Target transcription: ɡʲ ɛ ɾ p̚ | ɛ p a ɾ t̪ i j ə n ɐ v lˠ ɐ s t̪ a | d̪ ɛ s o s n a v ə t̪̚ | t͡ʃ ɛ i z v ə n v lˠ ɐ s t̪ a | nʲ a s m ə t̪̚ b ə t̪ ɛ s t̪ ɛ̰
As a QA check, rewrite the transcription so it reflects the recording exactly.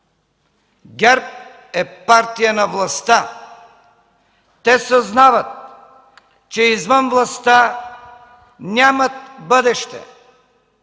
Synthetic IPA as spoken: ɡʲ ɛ ɾ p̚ | ɛ p a ɾ t̪ i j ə n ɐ v lˠ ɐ s t̪ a | t̪ ɛ s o z n a v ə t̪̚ | t͡ʃ ɛ i z v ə n v lˠ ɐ s t̪ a | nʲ a m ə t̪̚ b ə d̪ ɛ ʃ t̪ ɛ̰